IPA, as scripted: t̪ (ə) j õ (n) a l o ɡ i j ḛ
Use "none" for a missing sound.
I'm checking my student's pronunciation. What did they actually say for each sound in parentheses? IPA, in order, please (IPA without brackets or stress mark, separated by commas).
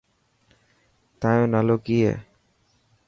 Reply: a, n